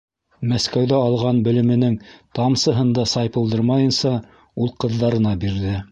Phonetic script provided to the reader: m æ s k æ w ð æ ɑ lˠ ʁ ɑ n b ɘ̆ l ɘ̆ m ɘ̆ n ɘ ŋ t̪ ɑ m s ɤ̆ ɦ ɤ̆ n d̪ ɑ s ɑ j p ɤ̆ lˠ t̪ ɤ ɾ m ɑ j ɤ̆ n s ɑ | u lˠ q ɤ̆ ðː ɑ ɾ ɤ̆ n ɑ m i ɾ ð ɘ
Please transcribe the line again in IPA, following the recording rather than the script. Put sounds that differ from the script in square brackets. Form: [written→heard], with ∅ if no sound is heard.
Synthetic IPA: m æ s k æ w ð æ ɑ lˠ ʁ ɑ n b ɘ̆ l ɘ̆ m ɘ̆ n ɘ ŋ t̪ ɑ m s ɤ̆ ɦ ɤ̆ n d̪ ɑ s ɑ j p ɤ̆ lˠ [t̪→d̪] ɤ ɾ m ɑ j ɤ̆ n s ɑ | u lˠ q ɤ̆ ðː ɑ ɾ ɤ̆ n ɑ [m→b] i ɾ ð ɘ